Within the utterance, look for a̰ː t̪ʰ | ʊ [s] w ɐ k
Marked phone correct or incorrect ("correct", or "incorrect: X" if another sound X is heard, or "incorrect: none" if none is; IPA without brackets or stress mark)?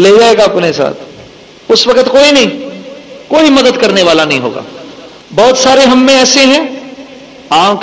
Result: correct